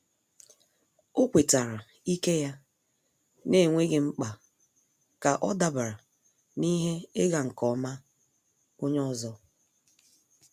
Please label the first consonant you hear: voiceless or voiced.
voiceless